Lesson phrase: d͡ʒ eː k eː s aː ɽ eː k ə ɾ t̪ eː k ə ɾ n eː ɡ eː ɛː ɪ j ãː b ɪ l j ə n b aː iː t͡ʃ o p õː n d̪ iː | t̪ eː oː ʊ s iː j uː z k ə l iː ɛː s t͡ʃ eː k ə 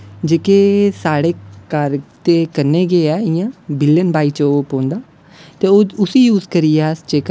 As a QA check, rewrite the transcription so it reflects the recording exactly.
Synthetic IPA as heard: d͡ʒ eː k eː s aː ɽ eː k ə ɾ t̪ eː k ə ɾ n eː ɡ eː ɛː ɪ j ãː b ɪ l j ə n b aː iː t͡ʃ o p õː n d̪ aː | t̪ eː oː ʊ s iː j uː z k ə ɾ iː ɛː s t͡ʃ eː k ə